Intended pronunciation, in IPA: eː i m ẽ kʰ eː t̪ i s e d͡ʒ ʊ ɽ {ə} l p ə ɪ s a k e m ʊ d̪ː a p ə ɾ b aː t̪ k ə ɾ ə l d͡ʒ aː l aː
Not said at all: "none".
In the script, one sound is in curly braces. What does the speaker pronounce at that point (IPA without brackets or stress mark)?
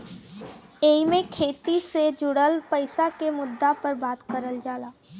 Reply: ə